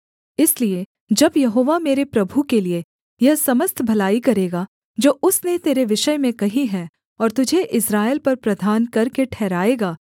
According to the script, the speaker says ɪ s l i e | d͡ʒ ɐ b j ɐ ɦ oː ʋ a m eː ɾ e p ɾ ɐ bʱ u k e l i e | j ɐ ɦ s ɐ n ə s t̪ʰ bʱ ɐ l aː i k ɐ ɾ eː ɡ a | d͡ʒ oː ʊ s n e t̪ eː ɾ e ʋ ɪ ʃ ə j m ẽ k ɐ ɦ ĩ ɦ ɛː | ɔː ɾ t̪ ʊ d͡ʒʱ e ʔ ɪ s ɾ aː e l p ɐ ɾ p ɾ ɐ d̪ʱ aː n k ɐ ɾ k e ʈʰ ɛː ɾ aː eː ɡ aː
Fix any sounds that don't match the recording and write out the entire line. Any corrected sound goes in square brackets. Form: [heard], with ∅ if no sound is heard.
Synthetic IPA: ɪ s l i e | d͡ʒ ɐ b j ɐ ɦ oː ʋ a m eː ɾ e p ɾ ɐ bʱ u k e l i e | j ɐ ɦ s ɐ [m] ə s t̪ʰ bʱ ɐ l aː i k ɐ ɾ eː ɡ a | d͡ʒ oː ʊ s n e t̪ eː ɾ e ʋ ɪ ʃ ə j m ẽ k ɐ ɦ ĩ ɦ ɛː | ɔː ɾ t̪ ʊ d͡ʒʱ e ʔ ɪ s ɾ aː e l p ɐ ɾ p ɾ ɐ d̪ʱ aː n k ɐ ɾ k e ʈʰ ɛː ɾ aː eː ɡ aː

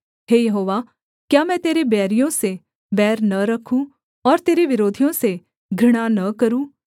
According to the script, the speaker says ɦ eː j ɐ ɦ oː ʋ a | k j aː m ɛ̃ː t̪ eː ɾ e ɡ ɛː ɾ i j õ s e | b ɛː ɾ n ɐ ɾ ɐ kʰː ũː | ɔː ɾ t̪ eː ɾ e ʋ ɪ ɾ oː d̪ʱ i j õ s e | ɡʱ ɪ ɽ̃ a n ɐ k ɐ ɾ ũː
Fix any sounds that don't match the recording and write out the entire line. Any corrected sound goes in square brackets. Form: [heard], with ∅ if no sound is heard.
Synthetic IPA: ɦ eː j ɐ ɦ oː ʋ a | k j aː m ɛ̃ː t̪ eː ɾ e [b] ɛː ɾ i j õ s e | b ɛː ɾ n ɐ ɾ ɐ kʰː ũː | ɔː ɾ t̪ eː ɾ e ʋ ɪ ɾ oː d̪ʱ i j õ s e | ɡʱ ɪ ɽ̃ a n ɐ k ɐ ɾ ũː

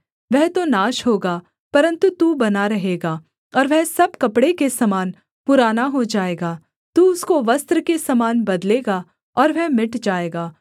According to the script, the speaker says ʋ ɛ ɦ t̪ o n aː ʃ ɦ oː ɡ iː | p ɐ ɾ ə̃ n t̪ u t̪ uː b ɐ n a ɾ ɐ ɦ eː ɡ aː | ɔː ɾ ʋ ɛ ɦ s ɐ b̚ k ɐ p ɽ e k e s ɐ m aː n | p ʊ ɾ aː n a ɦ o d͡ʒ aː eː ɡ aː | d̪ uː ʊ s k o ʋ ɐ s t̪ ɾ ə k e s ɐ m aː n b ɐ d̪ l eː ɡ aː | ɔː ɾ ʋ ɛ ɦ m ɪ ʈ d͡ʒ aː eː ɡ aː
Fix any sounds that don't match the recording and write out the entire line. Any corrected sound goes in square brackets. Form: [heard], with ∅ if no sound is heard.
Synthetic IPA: ʋ ɛ ɦ t̪ o n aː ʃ ɦ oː ɡ [aː] | p ɐ ɾ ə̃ n t̪ u t̪ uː b ɐ n a ɾ ɐ ɦ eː ɡ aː | ɔː ɾ ʋ ɛ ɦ s ɐ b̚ k ɐ p ɽ e k e s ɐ m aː n | p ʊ ɾ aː n a ɦ o d͡ʒ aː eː ɡ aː | [t̪] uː ʊ s k o ʋ ɐ s t̪ ɾ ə k e s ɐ m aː n b ɐ d̪ l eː ɡ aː | ɔː ɾ ʋ ɛ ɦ m ɪ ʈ d͡ʒ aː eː ɡ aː

